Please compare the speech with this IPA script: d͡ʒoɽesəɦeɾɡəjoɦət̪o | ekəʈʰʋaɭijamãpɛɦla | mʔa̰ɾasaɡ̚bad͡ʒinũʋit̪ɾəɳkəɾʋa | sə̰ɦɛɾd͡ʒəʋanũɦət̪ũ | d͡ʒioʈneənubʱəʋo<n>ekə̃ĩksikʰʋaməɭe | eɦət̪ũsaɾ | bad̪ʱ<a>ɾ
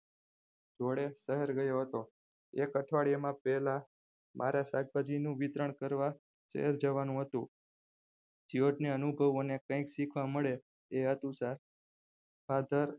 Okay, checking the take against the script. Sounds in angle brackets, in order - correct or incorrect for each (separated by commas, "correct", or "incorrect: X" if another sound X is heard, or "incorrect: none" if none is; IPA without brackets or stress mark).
correct, incorrect: ə